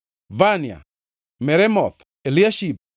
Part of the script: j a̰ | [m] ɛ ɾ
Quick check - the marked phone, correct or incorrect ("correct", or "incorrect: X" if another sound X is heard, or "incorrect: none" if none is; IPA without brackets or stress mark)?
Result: correct